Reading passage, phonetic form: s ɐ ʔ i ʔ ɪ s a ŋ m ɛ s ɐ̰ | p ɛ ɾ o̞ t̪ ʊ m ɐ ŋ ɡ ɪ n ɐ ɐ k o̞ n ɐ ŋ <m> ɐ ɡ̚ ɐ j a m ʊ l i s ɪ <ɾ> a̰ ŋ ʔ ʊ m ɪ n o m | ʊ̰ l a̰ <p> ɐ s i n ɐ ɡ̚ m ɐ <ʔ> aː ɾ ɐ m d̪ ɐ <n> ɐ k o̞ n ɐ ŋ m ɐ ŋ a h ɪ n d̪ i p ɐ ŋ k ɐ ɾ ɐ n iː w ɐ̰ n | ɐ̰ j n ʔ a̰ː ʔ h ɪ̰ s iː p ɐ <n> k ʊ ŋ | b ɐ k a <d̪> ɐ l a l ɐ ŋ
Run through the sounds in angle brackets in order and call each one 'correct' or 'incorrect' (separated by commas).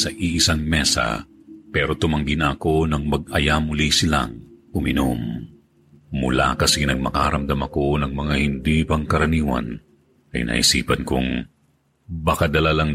correct, incorrect, incorrect, incorrect, incorrect, correct, correct